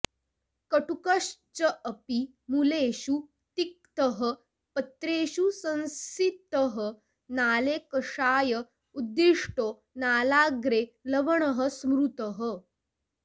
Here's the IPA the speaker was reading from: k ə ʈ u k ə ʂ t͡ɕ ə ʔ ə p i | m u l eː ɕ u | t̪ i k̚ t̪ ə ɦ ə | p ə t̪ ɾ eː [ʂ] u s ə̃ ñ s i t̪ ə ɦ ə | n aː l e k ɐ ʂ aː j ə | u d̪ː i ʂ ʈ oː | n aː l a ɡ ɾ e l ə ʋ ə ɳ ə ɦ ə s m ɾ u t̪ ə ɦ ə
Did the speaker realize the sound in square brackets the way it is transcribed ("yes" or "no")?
no